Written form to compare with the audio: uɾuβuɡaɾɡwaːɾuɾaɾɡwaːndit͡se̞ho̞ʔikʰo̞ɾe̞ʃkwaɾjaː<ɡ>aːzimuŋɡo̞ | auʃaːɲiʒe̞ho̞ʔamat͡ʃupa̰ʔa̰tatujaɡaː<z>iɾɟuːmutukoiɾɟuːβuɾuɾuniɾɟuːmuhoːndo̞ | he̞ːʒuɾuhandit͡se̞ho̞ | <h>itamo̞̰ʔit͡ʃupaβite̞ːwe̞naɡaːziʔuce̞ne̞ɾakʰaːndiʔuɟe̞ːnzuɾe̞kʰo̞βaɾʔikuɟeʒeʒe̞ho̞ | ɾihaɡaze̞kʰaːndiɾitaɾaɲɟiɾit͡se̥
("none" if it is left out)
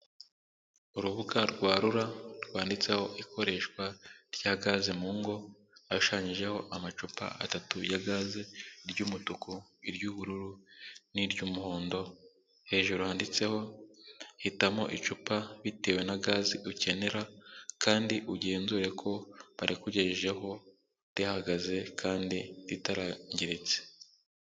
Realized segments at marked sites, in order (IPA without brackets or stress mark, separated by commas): ɡ, z, h